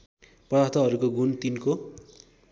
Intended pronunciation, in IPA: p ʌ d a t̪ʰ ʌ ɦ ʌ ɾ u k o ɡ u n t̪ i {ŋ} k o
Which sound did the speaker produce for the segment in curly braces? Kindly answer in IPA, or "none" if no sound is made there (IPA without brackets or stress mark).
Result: n